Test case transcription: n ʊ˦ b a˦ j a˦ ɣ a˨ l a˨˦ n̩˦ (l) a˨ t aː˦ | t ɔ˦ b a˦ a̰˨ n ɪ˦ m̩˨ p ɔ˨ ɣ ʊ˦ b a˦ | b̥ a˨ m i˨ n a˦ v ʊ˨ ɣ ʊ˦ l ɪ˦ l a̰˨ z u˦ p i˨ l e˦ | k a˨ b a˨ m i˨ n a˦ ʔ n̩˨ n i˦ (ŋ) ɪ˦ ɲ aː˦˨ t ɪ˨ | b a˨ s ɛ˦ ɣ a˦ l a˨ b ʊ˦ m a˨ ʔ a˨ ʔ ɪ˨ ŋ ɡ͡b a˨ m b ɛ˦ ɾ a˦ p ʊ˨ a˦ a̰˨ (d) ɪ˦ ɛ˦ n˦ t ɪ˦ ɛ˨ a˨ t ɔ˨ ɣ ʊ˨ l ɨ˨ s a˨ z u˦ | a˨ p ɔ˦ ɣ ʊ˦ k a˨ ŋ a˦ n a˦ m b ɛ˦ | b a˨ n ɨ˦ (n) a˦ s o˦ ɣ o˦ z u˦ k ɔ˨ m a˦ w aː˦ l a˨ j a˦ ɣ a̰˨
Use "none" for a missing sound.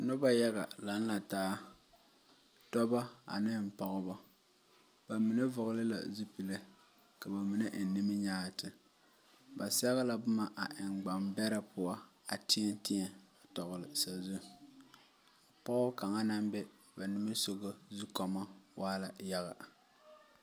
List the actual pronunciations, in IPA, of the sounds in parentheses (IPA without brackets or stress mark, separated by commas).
l, m, t, m